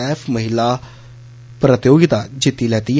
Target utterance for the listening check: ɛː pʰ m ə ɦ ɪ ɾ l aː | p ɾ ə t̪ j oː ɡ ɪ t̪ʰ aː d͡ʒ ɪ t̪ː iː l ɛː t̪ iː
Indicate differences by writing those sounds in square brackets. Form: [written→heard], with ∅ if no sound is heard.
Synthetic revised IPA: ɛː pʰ m ə ɦ ɪ [ɾ→∅] l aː | p ɾ ə t̪ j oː ɡ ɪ [t̪ʰ→t̪] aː d͡ʒ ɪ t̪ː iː l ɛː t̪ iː